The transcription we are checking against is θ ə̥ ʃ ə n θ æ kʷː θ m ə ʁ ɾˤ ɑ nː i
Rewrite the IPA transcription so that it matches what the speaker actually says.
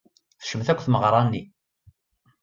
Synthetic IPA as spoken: θ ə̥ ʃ ə m θ æ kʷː θ m ə ʁ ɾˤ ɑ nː i